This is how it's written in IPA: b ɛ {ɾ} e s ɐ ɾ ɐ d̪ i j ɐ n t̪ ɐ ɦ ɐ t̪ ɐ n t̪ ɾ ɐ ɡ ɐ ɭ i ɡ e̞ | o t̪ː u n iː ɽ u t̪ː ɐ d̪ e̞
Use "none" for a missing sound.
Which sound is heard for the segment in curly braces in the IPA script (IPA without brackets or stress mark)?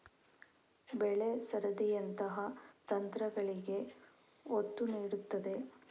ɭ